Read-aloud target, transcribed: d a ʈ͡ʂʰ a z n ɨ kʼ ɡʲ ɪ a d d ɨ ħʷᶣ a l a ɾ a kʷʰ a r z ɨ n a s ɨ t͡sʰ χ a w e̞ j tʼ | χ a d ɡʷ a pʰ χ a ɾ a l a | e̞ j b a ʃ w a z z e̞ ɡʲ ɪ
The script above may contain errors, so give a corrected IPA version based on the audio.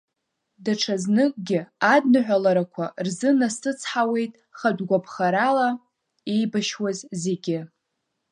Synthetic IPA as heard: d a ʈ͡ʂʰ a z n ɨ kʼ ɡʲ ɪ a d n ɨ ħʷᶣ a l a ɾ a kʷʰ a r z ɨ n a s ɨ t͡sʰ ħ a w e̞ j tʼ | χ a d ɡʷ a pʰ χ a ɾ a l a | e̞ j b a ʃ w a z z e̞ ɡʲ ɪ